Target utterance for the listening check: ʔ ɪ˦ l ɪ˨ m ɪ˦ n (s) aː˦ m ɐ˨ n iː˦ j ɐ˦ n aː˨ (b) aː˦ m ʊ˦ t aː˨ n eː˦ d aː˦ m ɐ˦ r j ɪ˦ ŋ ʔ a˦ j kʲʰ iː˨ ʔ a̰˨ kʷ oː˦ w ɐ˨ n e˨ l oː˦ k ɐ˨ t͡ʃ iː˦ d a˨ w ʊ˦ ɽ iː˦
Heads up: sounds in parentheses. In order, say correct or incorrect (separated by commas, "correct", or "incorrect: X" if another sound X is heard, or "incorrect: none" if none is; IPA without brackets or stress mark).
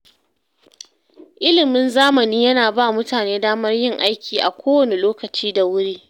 incorrect: z, correct